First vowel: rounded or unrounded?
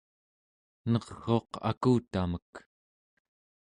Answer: unrounded